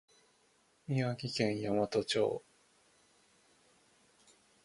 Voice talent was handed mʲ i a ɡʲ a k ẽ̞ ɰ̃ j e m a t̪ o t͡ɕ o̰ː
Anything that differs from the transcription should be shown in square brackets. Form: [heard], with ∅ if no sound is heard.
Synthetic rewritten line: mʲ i a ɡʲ [i] k ẽ̞ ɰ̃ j [a] m a t̪ o t͡ɕ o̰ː